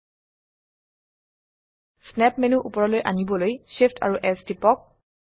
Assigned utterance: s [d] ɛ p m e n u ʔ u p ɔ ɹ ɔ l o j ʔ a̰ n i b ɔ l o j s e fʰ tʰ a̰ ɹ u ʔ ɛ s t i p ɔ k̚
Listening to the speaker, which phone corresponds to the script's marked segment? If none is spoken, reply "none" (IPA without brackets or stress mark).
n